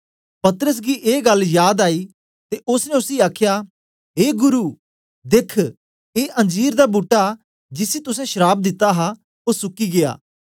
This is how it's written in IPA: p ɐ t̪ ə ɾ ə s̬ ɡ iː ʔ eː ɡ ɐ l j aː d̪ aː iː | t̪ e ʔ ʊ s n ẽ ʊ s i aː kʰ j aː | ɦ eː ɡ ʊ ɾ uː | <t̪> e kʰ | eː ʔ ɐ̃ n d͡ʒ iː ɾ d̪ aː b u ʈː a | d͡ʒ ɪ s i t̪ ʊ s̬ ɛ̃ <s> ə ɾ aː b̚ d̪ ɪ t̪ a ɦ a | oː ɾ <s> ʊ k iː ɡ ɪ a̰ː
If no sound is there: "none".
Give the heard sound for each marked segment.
d̪, ʃ, s

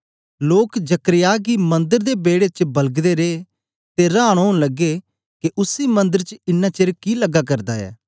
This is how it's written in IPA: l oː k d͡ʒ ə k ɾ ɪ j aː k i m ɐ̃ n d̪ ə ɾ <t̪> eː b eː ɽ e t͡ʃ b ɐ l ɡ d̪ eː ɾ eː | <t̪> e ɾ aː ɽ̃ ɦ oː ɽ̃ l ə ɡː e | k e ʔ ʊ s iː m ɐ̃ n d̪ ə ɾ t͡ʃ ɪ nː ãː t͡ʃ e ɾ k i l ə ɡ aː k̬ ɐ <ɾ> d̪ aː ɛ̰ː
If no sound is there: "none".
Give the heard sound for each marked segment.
d̪, t̪, ɾ

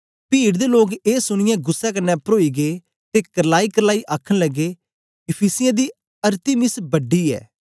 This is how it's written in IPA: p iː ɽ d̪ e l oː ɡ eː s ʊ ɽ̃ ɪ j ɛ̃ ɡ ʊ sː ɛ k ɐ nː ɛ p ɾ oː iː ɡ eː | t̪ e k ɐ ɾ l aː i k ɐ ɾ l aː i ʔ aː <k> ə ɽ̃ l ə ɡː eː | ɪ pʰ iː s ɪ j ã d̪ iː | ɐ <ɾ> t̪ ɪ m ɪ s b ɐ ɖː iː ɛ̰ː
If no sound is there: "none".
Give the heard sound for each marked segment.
kʰ, ɾ

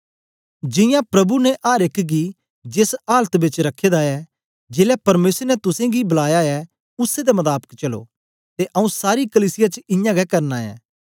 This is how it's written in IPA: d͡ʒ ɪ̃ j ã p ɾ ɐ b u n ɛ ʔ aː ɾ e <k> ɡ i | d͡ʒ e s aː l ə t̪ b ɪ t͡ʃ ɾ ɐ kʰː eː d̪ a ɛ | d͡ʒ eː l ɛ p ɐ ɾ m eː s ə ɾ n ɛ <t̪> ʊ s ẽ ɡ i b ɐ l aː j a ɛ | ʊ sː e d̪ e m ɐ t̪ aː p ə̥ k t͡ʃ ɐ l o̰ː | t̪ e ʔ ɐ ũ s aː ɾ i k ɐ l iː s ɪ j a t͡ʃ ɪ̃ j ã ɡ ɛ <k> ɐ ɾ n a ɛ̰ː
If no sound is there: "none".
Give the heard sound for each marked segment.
k, t̪, k

